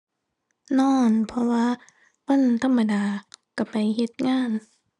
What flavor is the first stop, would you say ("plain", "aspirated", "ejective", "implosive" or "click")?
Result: aspirated